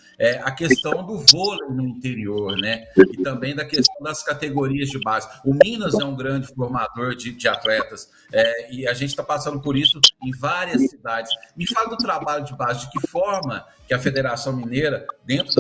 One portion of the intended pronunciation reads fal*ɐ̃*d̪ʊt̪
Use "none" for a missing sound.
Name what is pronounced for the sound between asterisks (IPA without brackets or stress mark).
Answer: ɐ